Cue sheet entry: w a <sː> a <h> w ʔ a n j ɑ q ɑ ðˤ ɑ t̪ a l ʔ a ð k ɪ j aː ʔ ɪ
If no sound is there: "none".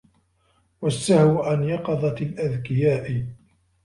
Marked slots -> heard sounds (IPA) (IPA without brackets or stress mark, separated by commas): sː, h